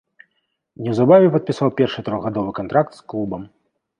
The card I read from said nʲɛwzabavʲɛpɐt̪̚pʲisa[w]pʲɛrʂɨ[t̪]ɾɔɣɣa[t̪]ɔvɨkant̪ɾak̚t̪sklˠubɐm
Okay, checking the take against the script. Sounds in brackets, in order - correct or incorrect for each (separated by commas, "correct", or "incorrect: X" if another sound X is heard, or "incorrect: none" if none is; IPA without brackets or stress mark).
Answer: correct, correct, incorrect: d̪